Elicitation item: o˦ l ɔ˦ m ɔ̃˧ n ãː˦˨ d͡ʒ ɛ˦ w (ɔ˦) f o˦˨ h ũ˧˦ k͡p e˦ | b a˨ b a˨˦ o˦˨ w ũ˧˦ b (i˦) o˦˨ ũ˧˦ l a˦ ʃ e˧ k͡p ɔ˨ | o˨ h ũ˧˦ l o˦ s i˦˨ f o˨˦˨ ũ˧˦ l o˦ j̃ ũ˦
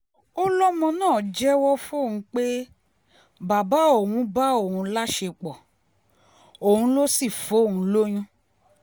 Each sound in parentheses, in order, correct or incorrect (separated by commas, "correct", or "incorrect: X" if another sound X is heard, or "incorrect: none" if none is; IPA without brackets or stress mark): correct, incorrect: a˦